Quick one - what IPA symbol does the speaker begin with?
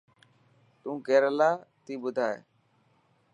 t̪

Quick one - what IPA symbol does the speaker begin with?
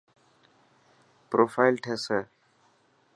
p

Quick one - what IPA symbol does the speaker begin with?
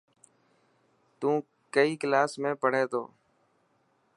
t̪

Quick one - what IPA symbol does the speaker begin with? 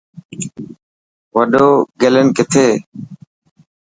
ʋ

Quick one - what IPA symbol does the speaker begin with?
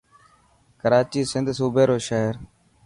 k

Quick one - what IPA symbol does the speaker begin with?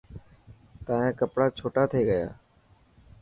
t̪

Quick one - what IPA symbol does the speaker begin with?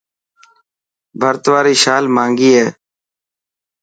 bʱ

